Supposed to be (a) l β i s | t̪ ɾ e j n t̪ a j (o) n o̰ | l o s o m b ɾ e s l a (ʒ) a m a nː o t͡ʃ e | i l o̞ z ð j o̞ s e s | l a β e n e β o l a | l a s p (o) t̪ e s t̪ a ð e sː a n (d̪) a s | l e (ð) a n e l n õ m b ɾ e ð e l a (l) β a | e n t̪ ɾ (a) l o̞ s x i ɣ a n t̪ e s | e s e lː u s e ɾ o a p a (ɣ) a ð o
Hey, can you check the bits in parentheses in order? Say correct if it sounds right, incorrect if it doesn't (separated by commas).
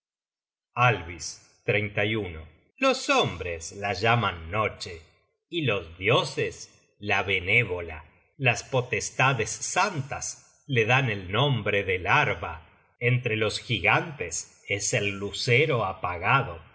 correct, incorrect, correct, correct, incorrect, correct, incorrect, incorrect, correct